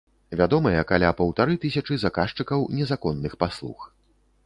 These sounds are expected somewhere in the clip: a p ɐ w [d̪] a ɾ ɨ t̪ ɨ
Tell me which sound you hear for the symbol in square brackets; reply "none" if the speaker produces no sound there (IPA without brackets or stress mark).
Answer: t̪